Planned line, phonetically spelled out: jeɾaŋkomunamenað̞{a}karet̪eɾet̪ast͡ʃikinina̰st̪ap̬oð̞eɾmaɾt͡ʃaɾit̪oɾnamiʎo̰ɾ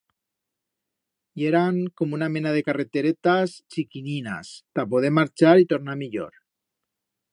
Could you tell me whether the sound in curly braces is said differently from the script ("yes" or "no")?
yes